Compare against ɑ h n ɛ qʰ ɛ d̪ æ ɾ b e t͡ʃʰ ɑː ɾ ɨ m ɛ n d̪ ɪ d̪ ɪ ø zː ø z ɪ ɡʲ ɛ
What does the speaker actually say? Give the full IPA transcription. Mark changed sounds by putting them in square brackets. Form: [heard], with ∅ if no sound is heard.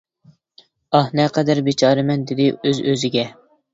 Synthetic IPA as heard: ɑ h n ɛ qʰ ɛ d̪ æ ɾ b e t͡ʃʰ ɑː ɾ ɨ m ɛ n d̪ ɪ d̪ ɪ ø [z] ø z ɪ ɡʲ ɛ